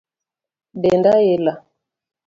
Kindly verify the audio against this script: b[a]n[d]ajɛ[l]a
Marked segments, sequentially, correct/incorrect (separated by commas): incorrect, correct, correct